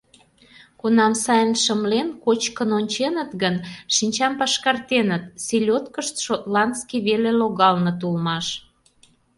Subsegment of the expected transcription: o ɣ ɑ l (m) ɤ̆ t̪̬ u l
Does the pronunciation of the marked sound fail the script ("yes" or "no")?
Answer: yes